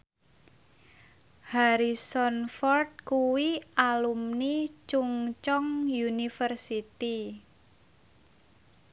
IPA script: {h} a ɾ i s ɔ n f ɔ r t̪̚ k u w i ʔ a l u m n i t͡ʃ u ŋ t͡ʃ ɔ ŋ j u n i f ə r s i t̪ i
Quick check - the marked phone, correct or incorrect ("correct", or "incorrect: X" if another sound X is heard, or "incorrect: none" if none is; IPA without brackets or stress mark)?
correct